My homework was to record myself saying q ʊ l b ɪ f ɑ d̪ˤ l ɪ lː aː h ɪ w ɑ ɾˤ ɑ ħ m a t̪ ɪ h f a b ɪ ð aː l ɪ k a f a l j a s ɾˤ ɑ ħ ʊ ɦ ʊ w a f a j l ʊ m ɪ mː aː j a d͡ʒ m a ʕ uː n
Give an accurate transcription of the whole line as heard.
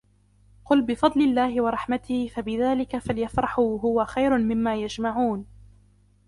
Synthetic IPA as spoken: q ʊ l b ɪ f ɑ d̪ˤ l ɪ lː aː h ɪ w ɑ ɾˤ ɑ ħ m a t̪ ɪ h f a b ɪ ð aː l ɪ k a f a l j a f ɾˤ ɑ ħ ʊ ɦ ʊ w a x a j ɾ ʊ m ɪ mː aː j a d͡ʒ m a ʕ uː n